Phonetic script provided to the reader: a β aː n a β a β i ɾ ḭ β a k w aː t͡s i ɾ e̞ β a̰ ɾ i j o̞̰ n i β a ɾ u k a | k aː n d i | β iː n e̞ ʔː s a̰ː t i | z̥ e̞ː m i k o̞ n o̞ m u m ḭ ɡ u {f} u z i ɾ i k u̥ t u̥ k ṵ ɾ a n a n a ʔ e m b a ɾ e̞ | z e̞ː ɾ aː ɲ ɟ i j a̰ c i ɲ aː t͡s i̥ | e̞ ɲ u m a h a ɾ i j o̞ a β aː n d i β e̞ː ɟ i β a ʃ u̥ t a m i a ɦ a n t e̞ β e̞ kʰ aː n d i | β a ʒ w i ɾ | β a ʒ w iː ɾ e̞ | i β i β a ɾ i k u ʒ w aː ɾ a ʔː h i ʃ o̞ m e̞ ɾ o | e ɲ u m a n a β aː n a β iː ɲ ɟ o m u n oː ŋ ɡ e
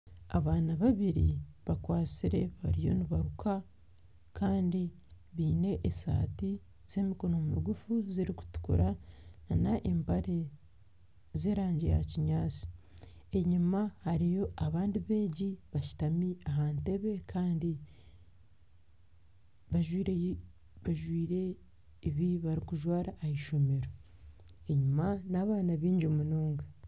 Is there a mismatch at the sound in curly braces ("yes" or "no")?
no